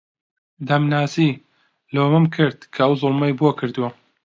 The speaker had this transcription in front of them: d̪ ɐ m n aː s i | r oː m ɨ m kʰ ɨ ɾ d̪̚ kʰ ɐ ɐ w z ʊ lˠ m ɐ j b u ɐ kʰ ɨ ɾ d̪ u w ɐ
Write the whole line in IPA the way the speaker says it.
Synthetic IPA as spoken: d̪ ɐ m n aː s i | l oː m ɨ m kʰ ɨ ɾ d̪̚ kʰ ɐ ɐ w z ʊ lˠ m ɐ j b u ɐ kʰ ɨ ɾ d̪ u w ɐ